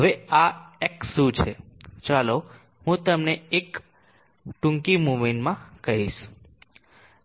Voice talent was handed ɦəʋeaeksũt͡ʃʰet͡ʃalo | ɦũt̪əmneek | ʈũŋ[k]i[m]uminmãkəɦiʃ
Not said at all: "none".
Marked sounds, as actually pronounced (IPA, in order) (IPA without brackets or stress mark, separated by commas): k, m